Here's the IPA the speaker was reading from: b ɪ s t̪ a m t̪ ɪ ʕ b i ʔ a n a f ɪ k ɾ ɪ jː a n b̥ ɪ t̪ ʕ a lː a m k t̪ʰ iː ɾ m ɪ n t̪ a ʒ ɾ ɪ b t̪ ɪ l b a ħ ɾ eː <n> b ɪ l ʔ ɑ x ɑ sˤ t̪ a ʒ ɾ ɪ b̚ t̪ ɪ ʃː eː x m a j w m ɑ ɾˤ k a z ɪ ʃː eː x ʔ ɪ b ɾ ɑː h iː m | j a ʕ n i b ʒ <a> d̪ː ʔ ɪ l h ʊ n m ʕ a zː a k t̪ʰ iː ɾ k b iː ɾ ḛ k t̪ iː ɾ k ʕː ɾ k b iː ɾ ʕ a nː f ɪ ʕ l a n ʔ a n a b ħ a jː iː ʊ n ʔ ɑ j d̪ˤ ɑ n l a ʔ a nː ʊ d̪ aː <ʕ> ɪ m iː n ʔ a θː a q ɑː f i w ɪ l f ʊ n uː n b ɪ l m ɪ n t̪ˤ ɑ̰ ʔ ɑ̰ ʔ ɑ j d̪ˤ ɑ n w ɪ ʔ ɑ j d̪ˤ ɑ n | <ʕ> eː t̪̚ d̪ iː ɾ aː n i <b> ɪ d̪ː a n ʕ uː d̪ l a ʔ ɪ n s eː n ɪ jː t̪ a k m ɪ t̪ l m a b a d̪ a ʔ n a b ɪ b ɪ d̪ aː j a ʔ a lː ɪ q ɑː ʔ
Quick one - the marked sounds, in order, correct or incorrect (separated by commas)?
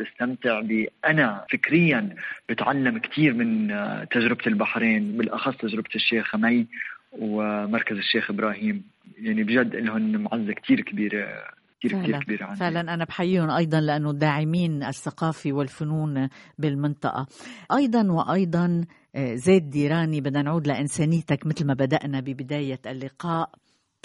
correct, correct, correct, incorrect, correct